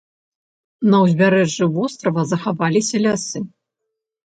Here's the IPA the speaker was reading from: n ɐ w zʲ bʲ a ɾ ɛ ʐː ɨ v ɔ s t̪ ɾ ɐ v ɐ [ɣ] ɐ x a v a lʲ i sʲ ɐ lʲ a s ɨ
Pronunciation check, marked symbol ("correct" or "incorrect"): incorrect